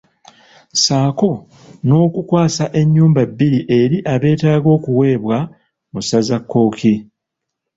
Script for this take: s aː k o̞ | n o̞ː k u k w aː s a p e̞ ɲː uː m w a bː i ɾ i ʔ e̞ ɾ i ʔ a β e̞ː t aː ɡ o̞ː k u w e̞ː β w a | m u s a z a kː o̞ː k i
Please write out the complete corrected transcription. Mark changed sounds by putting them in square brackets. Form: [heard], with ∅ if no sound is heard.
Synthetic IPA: s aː k o̞ | n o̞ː k u k w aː s a [ʔ] e̞ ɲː uː m [b] a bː i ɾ i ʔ e̞ ɾ i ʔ a β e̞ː t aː ɡ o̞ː k u w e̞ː β w a | m u s a z a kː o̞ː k i